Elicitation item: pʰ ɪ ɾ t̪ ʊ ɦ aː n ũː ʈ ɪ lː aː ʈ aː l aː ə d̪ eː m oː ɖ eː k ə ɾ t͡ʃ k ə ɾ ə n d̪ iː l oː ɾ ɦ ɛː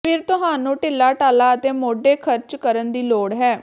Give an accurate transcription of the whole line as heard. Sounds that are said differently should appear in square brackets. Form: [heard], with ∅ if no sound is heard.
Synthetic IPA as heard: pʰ ɪ ɾ t̪ ʊ ɦ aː n ũː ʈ ɪ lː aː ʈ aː l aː ə [t̪] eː m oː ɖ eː [kʰ] ə ɾ t͡ʃ k ə ɾ ə n d̪ iː l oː [ɽ] ɦ ɛː